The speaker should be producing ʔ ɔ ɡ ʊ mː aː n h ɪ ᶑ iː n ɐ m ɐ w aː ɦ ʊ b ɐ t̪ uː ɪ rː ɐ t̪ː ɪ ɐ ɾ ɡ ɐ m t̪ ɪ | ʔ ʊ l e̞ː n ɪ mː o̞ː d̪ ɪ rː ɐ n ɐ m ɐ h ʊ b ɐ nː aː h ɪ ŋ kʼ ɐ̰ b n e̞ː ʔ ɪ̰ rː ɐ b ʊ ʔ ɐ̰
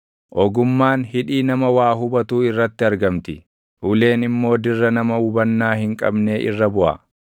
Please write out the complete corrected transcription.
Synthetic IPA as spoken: ʔ ɔ ɡ ʊ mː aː n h ɪ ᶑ iː n ɐ m ɐ w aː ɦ ʊ b ɐ t̪ uː ɪ rː ɐ t̪ː ɪ ɐ ɾ ɡ ɐ m t̪ ɪ | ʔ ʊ l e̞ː n ɪ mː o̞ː d̪ ɪ rː ɐ n ɐ m ɐ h ʊ b ɐ nː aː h ɪ ŋ kʼ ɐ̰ b n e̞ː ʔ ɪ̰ rː ɐ b ʊ ʔ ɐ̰